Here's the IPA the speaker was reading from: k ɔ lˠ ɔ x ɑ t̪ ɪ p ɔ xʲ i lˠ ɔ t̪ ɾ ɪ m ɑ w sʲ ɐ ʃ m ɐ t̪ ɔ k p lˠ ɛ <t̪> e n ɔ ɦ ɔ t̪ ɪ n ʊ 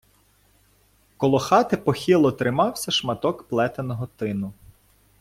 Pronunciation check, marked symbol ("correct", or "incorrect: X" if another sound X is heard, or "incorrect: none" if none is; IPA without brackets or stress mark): correct